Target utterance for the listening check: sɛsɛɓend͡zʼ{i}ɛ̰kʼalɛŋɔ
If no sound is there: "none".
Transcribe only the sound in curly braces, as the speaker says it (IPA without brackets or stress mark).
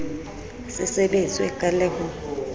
i